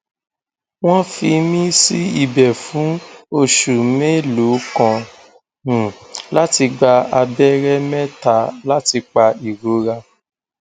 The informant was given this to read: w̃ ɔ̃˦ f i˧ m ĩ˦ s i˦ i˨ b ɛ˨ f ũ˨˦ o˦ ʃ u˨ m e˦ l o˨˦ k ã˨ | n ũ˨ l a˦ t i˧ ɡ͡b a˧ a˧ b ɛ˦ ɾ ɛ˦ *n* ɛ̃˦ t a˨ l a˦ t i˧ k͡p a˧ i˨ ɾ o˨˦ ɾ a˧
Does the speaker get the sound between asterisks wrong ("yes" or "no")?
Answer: yes